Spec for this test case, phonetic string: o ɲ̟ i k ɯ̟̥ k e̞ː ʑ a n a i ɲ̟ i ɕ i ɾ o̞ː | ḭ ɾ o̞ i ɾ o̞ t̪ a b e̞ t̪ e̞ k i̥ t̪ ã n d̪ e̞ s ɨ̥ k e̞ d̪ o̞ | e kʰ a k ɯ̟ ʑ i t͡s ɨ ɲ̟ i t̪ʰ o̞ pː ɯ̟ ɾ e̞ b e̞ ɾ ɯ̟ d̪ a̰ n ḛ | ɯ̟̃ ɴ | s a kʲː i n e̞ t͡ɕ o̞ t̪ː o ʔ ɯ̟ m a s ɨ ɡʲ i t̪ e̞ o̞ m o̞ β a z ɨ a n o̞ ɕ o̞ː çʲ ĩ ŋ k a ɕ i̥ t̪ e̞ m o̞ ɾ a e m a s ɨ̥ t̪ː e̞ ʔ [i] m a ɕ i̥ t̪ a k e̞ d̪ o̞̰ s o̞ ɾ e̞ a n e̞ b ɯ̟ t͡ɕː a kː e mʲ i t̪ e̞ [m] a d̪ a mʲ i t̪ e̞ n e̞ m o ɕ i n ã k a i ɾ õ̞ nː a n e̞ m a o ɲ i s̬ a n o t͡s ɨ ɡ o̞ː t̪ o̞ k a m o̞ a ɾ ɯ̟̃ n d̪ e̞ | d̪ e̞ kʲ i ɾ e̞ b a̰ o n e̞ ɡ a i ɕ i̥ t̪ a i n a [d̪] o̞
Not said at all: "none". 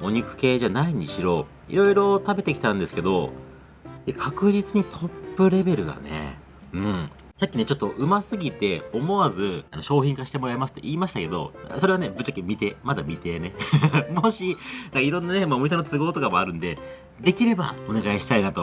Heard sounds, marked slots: iː, m, t̪

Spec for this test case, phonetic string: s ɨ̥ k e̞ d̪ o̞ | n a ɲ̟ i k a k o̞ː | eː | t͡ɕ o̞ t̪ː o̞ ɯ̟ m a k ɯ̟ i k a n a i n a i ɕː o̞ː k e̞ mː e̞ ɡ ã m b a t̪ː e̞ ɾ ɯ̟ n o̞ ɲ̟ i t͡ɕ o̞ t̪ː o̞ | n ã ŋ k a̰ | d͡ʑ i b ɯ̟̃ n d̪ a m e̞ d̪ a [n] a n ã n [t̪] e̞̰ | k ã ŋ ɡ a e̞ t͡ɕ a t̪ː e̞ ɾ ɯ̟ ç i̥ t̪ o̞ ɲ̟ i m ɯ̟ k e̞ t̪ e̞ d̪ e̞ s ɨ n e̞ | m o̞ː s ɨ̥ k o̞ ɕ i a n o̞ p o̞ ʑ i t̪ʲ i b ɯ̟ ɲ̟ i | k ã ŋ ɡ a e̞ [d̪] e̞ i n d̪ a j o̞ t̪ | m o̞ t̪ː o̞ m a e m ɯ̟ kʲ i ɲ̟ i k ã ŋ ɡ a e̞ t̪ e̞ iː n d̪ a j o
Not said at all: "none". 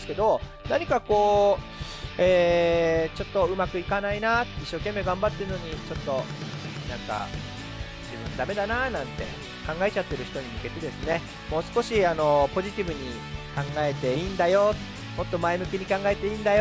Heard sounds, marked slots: n, t̪, t̪

